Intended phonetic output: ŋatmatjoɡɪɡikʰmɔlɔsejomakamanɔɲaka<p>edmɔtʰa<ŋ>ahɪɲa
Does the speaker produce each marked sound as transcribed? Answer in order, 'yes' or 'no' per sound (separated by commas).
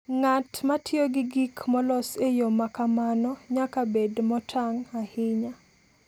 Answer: no, yes